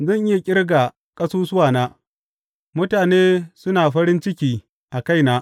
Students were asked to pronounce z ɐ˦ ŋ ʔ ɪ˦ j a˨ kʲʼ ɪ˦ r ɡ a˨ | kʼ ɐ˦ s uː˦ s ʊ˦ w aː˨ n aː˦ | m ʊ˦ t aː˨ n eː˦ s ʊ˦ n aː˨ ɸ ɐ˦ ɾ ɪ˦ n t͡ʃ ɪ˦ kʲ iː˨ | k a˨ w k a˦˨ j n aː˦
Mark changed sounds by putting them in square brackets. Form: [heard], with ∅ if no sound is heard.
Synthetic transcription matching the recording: z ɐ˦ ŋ ʔ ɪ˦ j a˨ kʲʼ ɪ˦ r ɡ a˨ | kʼ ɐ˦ s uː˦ s ʊ˦ w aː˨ n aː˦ | m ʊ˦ t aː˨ n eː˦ s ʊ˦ n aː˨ ɸ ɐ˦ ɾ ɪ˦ n t͡ʃ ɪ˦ kʲ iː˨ | [ʔ] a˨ [∅] k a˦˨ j n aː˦